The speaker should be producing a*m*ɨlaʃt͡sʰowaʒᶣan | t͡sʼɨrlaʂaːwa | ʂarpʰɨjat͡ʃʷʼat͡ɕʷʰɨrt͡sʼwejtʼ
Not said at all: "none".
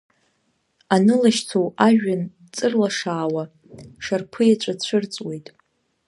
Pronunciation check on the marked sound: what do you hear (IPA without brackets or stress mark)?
n